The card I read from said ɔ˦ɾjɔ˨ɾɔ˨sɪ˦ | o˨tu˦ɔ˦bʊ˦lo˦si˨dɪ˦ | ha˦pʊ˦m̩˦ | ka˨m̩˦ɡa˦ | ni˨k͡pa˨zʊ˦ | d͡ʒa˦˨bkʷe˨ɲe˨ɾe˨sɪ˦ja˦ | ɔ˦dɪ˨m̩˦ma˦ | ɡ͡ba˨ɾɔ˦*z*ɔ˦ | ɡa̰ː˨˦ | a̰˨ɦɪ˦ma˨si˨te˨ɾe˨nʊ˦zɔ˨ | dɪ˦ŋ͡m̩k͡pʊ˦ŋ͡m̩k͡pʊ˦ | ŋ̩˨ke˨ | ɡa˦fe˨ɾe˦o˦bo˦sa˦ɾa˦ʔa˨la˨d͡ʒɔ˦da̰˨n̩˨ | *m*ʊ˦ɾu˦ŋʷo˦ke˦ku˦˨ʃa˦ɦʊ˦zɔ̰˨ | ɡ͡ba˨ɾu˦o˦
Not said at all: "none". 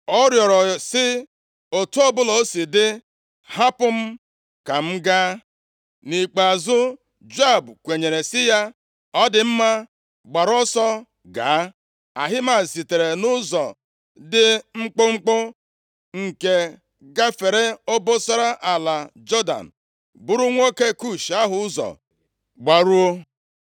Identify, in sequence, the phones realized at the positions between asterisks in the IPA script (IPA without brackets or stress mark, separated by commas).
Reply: s, b